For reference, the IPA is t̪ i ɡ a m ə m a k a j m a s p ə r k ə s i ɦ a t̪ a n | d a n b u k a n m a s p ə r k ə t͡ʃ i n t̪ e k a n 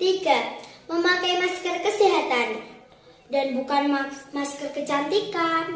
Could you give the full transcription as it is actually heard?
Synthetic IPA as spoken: t̪ i ɡ a m ə m a k a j m a s k ə r k ə s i ɦ a t̪ a n | d a n b u k a n m a s k ə r k ə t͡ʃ a n t̪ i k a n